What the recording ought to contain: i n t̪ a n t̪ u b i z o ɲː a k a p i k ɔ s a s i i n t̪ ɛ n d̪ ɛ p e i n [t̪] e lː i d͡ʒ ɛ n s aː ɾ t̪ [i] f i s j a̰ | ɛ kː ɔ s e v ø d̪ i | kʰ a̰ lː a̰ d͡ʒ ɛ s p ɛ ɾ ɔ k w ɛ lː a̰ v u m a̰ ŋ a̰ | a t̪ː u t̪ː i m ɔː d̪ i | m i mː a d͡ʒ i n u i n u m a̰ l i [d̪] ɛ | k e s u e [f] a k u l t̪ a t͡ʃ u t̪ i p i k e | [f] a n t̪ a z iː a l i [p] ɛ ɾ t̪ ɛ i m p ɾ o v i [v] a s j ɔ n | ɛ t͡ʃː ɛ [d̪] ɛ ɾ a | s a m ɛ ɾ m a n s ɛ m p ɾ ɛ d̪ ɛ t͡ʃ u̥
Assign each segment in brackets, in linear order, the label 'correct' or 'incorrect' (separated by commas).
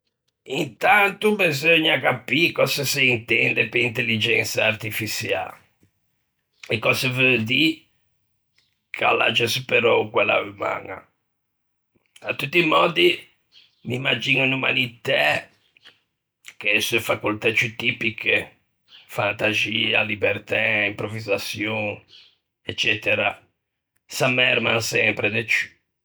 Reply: correct, correct, incorrect, correct, correct, incorrect, incorrect, incorrect